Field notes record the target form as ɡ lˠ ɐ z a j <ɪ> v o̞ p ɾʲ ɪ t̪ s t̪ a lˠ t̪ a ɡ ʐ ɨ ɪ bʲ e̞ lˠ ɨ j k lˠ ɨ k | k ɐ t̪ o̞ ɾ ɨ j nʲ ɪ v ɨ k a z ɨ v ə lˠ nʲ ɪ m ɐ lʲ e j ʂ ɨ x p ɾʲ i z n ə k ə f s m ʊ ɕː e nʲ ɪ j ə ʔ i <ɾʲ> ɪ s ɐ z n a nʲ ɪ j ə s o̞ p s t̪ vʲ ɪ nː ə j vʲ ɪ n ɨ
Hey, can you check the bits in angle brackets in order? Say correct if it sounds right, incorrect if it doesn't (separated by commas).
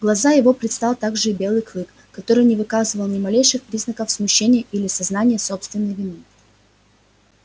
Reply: correct, incorrect